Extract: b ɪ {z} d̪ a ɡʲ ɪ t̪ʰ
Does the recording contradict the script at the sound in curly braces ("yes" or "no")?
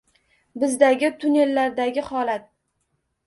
no